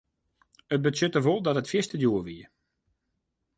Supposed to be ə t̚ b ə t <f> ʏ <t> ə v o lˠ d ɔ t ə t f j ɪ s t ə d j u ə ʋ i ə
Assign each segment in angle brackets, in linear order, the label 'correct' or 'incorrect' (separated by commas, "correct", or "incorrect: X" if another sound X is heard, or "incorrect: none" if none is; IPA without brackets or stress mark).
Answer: incorrect: s, correct